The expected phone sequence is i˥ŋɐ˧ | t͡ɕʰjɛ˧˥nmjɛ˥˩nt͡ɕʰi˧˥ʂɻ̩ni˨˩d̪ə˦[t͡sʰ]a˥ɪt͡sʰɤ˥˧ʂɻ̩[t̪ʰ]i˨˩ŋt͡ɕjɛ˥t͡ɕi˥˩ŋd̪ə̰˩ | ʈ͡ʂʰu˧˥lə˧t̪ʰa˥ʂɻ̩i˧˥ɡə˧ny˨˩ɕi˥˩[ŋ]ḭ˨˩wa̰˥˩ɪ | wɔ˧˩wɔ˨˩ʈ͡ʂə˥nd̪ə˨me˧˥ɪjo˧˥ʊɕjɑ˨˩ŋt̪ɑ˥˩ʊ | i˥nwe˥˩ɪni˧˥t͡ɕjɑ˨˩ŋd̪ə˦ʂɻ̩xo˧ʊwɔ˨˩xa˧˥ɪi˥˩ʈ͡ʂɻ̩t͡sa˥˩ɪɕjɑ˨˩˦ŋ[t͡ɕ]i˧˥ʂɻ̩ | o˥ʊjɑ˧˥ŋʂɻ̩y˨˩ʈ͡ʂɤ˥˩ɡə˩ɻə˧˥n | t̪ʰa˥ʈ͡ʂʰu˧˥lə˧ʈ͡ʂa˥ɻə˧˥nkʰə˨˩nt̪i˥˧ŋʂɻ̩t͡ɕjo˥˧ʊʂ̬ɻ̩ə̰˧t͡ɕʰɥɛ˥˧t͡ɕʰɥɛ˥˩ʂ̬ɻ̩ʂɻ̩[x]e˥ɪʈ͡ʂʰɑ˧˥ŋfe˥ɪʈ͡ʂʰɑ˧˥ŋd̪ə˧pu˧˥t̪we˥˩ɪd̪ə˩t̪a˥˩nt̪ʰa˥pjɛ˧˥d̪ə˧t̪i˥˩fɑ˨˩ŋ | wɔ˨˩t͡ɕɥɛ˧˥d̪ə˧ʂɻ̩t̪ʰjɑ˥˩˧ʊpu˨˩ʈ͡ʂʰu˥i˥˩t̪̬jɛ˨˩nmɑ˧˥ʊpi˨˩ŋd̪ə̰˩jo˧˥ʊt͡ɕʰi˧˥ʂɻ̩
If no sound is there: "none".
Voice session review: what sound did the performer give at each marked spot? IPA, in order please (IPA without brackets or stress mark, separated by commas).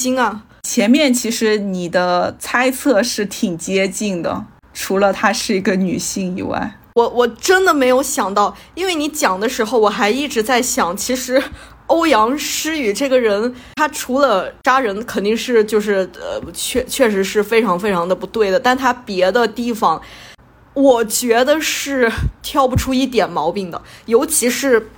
t͡sʰ, t̪ʰ, ŋ, t͡ɕʰ, f